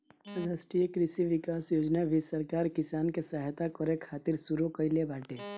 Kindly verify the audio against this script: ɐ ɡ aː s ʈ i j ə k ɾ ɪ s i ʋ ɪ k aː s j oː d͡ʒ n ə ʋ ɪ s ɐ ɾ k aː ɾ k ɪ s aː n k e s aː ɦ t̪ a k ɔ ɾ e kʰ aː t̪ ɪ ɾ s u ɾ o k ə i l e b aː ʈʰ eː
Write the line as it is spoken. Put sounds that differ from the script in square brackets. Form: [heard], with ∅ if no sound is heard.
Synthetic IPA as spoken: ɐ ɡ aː s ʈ i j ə k ɾ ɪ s i ʋ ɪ k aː s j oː d͡ʒ n [a] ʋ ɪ s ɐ ɾ k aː ɾ k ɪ s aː n k e s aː ɦ t̪ a k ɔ ɾ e kʰ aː t̪ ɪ ɾ s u ɾ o k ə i l e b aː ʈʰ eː